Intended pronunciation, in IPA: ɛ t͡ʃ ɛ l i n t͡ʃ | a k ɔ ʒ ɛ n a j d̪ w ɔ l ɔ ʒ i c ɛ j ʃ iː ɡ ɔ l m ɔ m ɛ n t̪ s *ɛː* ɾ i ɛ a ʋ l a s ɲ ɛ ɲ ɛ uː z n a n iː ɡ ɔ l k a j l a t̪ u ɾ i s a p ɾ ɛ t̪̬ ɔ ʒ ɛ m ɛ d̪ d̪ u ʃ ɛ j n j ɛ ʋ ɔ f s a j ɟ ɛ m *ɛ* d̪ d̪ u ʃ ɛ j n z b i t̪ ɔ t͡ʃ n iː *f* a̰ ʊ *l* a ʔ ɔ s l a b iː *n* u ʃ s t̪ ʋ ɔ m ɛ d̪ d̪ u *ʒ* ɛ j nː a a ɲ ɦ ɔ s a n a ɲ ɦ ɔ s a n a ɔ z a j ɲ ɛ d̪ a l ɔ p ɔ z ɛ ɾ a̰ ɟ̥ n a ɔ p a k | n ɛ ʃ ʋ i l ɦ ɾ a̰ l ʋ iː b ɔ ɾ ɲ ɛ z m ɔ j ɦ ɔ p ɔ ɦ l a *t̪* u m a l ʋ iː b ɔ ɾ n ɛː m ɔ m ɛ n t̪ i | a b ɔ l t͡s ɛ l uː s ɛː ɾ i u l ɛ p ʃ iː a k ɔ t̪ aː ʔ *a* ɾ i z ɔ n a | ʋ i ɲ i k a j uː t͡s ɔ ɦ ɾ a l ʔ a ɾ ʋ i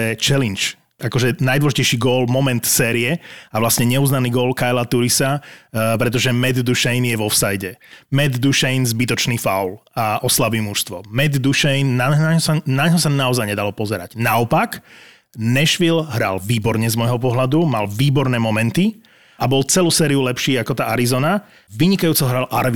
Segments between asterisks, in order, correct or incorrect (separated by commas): correct, correct, correct, correct, incorrect, incorrect, incorrect, correct